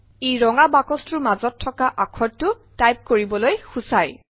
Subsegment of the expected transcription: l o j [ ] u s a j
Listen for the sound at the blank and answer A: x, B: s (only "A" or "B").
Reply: A